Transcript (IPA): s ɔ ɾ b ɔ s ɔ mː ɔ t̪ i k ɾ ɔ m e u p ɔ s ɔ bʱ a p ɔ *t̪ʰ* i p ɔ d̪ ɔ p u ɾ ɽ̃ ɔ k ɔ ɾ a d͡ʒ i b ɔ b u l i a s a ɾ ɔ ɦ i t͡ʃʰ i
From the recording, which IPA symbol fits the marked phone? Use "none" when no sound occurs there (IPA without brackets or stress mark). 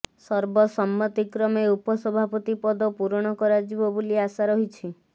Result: t̪